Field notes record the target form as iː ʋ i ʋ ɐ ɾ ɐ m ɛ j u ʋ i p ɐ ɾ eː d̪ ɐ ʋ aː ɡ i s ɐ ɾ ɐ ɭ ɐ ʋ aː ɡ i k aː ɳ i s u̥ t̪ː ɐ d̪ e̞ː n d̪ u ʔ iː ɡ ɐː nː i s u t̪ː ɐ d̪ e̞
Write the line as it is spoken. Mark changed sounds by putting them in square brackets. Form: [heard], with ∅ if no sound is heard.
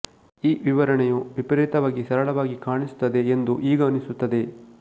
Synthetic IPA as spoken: iː ʋ i ʋ ɐ ɾ ɐ [ɳ] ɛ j u ʋ i p ɐ ɾ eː [t̪] ɐ ʋ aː ɡ i s ɐ ɾ ɐ ɭ ɐ ʋ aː ɡ i k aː ɳ i s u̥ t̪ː ɐ d̪ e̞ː n d̪ u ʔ iː ɡ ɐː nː i s u t̪ː ɐ d̪ e̞